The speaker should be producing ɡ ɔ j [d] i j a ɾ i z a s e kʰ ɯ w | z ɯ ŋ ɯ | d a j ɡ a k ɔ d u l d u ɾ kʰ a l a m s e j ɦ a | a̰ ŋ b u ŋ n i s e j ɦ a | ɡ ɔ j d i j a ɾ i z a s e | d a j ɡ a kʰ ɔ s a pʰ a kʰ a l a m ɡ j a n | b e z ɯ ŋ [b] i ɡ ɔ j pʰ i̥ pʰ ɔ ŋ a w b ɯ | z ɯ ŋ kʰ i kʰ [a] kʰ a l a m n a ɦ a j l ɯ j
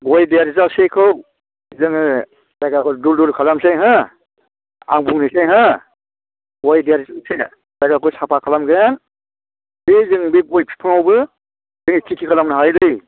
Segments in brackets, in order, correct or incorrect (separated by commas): correct, correct, incorrect